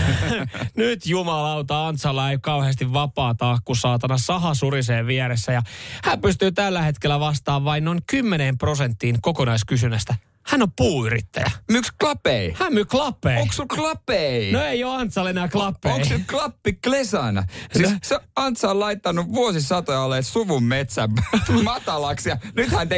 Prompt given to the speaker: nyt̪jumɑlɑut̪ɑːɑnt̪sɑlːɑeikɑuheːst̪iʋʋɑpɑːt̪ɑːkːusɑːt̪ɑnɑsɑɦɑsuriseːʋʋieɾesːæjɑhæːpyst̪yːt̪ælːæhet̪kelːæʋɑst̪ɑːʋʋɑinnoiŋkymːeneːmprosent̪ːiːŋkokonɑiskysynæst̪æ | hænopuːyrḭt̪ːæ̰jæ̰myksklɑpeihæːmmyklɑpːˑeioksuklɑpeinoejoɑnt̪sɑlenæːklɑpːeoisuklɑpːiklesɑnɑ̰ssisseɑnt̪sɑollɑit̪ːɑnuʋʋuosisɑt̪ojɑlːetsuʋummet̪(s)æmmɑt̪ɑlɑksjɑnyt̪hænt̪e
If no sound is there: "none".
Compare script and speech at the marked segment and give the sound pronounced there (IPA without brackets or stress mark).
s